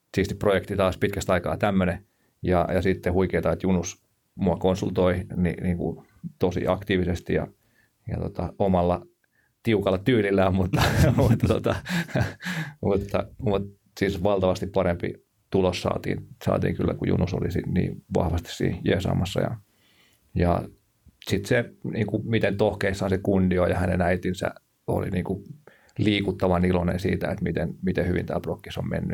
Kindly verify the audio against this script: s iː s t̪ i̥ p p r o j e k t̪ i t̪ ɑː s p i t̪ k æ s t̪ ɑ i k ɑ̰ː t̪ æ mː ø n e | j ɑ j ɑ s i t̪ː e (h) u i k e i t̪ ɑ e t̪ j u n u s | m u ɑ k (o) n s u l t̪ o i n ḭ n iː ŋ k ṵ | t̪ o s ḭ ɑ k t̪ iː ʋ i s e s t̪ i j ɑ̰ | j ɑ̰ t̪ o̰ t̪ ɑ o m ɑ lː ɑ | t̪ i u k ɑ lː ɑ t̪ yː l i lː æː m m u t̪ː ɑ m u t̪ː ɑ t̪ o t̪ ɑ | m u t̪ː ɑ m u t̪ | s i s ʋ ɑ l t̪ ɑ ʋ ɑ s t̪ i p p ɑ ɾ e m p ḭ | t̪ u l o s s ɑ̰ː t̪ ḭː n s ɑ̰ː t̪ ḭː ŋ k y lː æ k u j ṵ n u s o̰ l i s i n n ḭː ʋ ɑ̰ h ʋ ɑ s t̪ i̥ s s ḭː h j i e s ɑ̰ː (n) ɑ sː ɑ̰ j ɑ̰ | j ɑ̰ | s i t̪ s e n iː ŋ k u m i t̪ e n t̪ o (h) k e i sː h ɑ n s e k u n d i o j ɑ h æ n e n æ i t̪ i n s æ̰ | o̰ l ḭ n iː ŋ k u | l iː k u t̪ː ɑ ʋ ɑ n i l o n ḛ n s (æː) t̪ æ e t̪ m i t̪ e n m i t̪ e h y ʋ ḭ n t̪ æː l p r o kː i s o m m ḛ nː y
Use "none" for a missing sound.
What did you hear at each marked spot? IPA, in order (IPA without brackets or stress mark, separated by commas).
h, o, m, h, iː